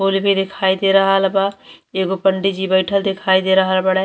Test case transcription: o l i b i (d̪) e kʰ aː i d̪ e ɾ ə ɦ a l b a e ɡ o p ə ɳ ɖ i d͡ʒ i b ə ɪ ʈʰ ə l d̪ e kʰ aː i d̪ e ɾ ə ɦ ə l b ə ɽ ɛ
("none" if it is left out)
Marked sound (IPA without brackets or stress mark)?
d̪